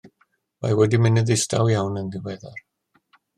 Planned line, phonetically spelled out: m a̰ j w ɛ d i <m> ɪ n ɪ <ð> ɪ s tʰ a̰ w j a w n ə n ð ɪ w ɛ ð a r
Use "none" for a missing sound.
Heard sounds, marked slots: m, ð

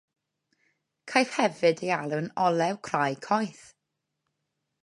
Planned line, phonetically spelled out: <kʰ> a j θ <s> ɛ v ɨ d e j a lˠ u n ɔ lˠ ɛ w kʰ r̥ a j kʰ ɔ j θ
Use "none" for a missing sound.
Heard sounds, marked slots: kʰ, h

